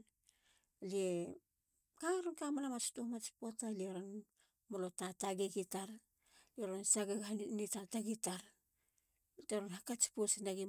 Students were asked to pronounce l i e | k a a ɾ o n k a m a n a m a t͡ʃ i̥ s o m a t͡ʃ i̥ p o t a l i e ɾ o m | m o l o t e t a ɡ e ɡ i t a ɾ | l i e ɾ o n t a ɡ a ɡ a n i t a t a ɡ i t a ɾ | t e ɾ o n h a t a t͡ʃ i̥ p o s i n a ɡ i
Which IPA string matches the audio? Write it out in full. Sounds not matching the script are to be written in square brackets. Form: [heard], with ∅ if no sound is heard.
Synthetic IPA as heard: l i e | k a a ɾ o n k a m a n a m a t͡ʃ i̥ [t] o m a t͡ʃ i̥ p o t a l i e ɾ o [n] | m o l o t [a] t a ɡ e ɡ i t a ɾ | l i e ɾ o n [s] a ɡ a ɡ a n i t a t a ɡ i t a ɾ | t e ɾ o n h a [k] a t͡ʃ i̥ p o s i n a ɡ i